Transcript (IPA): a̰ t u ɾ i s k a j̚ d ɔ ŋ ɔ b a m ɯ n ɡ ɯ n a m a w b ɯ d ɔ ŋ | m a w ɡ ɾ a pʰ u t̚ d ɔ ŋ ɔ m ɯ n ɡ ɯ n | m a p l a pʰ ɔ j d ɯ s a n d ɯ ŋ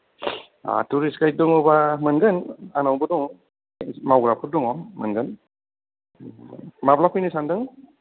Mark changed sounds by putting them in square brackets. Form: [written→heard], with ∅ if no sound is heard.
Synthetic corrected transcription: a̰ t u ɾ i s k a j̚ d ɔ ŋ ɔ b a m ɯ n ɡ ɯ n a [m→n] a w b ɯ d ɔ ŋ | m a w ɡ ɾ a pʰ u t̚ d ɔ ŋ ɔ m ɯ n ɡ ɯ n | m a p l a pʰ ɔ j [d→n] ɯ s a n d ɯ ŋ